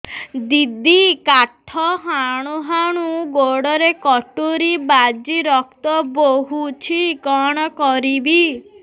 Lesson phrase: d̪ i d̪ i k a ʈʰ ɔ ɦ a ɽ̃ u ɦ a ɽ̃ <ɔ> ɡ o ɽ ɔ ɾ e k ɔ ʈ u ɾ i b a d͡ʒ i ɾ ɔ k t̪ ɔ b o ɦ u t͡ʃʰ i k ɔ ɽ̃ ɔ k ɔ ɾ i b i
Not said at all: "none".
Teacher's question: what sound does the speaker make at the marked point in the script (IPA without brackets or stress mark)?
u